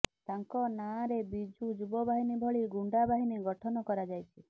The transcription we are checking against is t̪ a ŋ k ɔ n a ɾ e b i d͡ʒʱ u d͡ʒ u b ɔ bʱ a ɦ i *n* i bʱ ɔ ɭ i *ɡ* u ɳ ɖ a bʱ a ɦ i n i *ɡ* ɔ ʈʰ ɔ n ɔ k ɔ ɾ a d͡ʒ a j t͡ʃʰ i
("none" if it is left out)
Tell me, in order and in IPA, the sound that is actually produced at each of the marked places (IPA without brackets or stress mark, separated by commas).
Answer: n, ɡ, ɡ